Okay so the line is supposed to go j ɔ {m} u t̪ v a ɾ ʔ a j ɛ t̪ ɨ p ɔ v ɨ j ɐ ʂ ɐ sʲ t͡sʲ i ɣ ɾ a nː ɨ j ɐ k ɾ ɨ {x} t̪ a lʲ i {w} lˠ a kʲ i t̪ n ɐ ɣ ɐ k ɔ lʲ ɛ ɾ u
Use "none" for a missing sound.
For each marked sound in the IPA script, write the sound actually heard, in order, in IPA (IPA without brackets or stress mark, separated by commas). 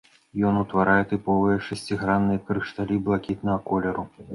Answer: n, ʂ, b